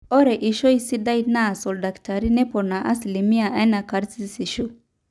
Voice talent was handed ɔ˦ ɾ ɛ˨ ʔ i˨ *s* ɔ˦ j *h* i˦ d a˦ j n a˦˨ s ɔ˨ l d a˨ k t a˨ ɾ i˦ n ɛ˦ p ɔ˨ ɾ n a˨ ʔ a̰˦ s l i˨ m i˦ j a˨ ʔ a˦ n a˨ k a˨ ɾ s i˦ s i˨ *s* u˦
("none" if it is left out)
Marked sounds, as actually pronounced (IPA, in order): ʃ, s, ʃ

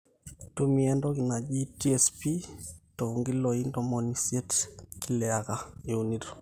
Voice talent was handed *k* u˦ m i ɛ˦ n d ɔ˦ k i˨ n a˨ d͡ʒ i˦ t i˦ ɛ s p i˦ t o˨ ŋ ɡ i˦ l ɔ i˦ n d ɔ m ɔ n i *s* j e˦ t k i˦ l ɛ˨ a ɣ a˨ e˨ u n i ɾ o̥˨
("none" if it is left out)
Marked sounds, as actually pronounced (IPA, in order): t, s

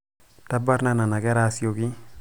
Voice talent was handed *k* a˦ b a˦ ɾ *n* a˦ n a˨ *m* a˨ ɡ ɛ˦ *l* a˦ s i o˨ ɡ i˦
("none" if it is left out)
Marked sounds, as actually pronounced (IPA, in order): t, n, n, ɾ

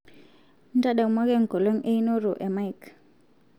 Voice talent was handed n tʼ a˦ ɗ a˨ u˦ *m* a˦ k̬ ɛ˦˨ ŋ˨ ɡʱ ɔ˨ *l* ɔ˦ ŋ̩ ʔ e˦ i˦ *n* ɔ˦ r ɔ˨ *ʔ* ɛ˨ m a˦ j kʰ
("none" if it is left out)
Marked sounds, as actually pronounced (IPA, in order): m, l, n, ʔ

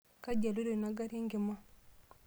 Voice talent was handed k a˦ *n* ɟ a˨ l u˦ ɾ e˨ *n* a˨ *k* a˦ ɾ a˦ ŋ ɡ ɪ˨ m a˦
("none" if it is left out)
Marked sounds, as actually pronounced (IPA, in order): none, n, ɡ

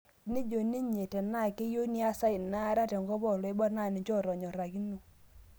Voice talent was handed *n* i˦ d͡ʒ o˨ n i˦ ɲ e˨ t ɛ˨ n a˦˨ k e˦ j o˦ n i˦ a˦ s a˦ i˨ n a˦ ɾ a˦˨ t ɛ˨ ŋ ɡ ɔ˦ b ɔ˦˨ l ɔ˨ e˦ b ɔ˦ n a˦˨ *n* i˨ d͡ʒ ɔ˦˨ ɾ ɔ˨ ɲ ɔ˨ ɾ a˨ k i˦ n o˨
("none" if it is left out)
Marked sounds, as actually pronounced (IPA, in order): n, n

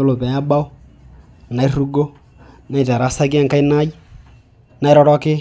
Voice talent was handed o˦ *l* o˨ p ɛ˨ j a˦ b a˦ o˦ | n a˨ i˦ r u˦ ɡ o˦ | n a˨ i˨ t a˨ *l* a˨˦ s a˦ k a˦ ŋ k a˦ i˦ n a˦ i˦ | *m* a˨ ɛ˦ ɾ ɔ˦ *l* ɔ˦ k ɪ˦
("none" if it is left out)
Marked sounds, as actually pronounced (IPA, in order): l, ɾ, n, ɾ

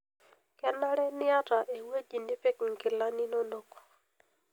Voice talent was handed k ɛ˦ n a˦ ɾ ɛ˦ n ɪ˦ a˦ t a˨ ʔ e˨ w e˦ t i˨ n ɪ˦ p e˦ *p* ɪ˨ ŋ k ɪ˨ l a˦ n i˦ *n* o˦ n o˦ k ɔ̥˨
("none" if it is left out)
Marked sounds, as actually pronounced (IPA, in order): k, n

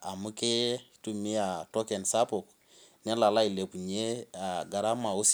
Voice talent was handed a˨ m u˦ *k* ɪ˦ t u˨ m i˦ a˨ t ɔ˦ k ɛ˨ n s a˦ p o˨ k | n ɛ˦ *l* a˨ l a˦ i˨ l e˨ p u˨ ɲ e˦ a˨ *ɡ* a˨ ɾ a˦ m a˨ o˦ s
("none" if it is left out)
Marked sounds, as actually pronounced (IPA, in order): k, l, ɡ

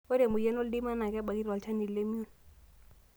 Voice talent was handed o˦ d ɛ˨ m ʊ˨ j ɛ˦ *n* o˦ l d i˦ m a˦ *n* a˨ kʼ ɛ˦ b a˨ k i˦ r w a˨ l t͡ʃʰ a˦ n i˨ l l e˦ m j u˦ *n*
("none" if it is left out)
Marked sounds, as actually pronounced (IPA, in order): n, n, n

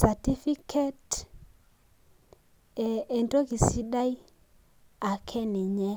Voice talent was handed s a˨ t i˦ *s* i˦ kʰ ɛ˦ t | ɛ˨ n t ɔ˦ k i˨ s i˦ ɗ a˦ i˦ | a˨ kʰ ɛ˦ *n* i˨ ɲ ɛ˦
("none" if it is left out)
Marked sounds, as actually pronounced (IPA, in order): f, n

